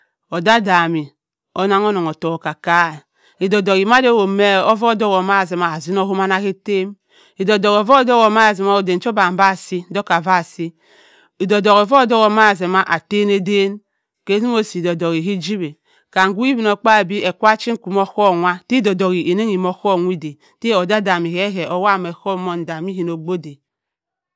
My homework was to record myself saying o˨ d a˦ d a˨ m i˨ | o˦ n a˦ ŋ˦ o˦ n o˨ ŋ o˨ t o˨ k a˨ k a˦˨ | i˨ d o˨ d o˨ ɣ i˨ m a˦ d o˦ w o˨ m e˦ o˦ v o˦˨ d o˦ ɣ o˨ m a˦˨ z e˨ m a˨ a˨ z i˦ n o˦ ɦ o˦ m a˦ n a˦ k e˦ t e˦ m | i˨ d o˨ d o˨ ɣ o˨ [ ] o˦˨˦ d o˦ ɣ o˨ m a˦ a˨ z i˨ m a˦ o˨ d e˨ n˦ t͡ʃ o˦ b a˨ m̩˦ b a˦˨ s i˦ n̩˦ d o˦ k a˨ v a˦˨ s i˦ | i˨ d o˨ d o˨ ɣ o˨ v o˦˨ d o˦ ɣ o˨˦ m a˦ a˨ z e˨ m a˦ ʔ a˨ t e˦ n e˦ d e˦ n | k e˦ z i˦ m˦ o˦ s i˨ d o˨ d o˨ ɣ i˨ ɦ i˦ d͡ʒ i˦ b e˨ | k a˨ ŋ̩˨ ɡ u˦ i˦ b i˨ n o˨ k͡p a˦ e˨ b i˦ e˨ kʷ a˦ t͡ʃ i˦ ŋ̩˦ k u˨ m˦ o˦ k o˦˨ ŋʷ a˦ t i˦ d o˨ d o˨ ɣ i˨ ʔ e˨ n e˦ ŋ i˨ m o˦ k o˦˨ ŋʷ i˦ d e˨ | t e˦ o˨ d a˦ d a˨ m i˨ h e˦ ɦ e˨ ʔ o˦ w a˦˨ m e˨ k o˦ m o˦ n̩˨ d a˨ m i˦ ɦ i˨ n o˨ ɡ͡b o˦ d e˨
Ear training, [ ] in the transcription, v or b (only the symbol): v